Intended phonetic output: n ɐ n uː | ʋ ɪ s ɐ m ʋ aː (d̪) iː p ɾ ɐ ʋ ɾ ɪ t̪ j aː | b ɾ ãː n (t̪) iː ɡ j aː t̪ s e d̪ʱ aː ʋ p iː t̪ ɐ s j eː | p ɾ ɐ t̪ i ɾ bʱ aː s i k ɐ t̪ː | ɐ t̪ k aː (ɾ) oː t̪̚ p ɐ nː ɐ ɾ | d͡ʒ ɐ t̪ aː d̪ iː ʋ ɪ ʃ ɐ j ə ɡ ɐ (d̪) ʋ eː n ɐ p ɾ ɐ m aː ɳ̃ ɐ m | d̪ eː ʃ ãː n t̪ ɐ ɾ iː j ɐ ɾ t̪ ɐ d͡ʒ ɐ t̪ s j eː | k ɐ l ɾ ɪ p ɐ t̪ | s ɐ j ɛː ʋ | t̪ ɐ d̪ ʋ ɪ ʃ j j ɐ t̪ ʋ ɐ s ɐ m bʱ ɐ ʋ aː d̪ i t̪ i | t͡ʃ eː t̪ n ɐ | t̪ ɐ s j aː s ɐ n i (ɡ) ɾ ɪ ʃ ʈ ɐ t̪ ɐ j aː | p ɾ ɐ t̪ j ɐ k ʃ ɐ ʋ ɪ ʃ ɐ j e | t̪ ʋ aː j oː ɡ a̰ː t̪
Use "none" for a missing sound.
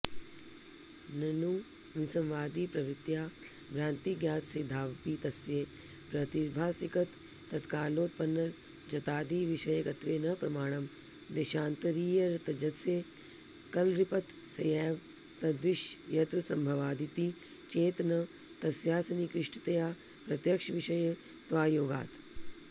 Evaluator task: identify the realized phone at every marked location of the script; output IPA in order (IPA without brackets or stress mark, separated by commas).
d̪, t̪, l, t̪, k